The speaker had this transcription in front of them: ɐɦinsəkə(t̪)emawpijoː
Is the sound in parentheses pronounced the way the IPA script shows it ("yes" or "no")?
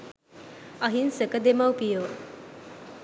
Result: no